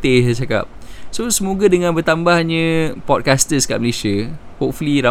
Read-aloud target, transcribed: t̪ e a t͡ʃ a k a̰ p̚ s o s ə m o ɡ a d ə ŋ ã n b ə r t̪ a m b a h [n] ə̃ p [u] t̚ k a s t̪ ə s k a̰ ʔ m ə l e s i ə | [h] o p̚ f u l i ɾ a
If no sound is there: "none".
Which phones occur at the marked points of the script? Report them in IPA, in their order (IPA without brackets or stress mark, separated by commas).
ɲ, ɔ, h